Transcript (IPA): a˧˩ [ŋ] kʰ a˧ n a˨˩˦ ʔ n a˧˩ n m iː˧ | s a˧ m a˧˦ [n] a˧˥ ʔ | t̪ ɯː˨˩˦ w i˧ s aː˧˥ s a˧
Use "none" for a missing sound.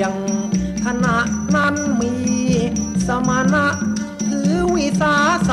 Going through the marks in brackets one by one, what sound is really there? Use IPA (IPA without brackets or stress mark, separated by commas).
ŋ, n